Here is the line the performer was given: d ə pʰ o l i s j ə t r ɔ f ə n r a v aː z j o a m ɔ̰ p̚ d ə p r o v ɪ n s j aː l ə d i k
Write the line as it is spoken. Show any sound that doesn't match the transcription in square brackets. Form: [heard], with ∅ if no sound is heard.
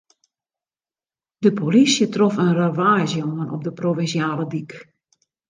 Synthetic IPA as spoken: d ə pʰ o l i s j ə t r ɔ f ə n r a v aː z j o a [n] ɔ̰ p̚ d ə p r o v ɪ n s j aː l ə d i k